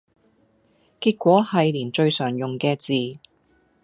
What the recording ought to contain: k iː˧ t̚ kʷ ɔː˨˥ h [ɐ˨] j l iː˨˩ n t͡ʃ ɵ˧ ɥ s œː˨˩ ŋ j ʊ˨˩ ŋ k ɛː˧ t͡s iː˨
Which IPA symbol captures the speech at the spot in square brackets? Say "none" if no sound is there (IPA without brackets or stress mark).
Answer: ɐ˨